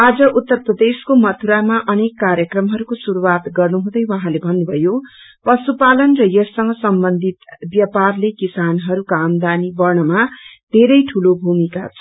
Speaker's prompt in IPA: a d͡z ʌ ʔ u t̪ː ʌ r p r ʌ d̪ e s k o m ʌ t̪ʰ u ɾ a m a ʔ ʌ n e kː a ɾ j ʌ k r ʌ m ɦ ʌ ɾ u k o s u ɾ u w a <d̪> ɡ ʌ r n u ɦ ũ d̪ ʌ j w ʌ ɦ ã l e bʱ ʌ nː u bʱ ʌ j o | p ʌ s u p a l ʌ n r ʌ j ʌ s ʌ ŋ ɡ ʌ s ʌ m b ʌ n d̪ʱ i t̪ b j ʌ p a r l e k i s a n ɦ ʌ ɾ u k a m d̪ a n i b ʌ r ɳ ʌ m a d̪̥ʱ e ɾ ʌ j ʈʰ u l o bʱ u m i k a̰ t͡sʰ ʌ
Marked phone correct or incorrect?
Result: incorrect